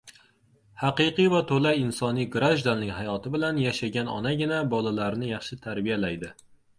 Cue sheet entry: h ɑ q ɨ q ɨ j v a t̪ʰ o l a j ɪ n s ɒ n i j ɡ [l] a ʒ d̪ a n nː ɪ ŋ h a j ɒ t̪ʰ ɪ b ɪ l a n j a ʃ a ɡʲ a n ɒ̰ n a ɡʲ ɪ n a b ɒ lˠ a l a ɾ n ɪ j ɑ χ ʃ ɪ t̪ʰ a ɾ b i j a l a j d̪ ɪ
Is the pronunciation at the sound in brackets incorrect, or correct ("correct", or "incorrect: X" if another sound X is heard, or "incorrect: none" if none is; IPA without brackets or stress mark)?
incorrect: ɾ